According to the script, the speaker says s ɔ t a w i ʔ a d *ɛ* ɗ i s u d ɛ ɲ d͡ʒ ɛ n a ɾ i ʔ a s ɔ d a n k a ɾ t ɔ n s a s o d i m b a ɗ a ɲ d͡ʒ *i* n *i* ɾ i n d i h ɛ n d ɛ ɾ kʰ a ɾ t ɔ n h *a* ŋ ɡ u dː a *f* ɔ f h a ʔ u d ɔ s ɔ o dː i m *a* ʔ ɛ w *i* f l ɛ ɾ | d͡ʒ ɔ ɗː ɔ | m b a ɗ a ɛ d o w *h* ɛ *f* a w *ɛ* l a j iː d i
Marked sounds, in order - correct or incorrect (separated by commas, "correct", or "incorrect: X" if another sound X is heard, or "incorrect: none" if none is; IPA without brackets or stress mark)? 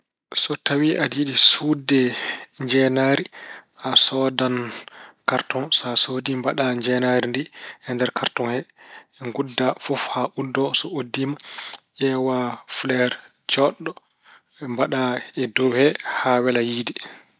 incorrect: i, incorrect: ɛ, incorrect: a, incorrect: ɛ, correct, correct, incorrect: a, correct, incorrect: h, correct